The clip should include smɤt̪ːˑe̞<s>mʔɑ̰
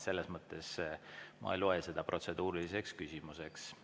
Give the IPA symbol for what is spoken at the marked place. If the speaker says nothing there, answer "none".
s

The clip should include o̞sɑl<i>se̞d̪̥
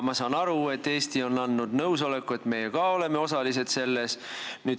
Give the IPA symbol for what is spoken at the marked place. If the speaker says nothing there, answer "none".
i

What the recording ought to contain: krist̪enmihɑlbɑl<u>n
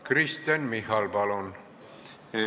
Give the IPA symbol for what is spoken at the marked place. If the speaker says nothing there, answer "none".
o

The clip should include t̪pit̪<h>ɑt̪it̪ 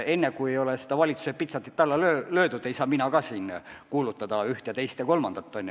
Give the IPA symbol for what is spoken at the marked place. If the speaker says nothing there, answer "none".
s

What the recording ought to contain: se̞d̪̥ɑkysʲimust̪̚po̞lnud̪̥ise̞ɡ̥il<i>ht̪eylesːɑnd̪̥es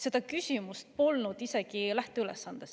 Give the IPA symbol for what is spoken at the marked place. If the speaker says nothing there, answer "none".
æ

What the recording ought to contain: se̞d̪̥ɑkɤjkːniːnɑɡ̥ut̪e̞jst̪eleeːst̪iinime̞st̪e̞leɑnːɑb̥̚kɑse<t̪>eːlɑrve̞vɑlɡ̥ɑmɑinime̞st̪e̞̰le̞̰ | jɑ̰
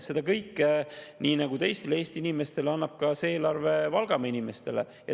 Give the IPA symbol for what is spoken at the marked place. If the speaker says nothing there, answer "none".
none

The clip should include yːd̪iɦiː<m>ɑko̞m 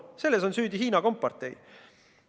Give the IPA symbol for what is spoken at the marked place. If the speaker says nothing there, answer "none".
n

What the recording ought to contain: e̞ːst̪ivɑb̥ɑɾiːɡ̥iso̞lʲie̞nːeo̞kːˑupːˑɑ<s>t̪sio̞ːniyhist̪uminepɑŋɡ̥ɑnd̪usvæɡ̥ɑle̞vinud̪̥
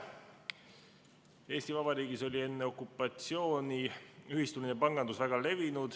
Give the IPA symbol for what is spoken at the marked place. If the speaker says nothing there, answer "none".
none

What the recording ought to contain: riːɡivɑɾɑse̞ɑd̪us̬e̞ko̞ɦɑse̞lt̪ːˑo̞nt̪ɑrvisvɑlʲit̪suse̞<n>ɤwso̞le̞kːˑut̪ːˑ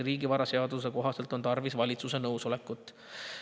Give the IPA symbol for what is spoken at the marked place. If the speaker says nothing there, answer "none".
n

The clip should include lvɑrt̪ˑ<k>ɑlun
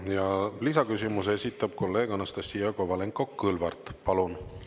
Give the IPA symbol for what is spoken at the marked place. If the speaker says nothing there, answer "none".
p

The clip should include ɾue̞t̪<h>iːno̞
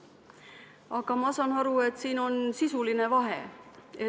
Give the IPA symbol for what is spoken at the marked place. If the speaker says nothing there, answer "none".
s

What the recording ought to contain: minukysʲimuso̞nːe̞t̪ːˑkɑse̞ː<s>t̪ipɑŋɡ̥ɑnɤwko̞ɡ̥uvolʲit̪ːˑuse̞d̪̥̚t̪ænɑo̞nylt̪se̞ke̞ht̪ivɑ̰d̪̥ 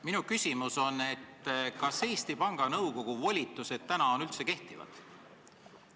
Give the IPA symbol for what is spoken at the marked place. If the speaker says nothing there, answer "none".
s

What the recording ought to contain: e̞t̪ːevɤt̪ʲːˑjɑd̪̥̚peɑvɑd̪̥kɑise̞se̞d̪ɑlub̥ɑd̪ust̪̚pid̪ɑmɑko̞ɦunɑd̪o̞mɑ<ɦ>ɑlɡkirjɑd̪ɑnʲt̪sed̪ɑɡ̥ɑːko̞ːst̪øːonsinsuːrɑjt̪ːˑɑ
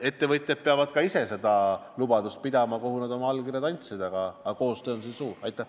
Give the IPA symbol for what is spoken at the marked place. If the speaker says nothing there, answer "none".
none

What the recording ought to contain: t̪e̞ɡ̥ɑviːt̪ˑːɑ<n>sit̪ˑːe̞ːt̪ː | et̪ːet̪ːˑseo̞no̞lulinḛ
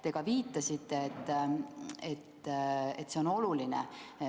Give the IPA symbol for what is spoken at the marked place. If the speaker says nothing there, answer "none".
none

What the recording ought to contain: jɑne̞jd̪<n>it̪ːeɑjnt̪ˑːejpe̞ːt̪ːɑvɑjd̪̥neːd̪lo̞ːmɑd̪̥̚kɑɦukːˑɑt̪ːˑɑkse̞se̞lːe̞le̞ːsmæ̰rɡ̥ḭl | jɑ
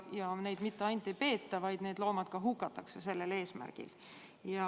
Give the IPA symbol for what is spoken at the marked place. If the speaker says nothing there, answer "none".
m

